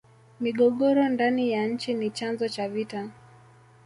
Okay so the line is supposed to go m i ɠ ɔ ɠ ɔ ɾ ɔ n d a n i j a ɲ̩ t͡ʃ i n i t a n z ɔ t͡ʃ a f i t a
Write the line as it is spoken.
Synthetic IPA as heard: m i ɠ ɔ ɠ ɔ ɾ ɔ n d a n i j a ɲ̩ t͡ʃ i n i t͡ʃ a n z ɔ t͡ʃ a v i t a